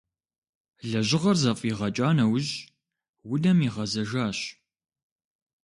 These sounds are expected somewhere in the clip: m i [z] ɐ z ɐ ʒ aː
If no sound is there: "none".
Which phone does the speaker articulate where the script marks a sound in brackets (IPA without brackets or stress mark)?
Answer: ʁ